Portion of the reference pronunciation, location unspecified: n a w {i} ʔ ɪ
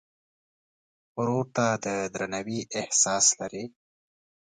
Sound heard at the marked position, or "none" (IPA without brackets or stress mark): i